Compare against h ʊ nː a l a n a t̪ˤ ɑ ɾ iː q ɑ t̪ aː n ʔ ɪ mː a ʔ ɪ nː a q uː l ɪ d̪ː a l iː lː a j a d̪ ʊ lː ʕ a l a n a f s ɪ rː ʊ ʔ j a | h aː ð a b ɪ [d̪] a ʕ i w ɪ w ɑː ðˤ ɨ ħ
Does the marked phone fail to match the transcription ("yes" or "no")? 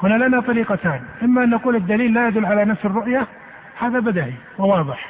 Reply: no